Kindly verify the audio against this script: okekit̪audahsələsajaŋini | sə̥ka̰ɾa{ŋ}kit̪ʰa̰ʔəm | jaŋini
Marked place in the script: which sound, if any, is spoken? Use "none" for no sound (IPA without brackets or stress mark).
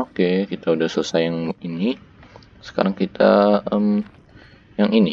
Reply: ŋ